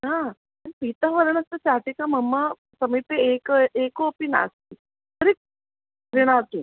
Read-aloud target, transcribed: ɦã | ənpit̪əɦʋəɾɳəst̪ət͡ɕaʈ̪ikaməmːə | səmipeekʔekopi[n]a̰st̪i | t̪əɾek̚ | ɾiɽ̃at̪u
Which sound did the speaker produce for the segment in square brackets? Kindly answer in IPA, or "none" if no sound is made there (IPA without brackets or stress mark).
n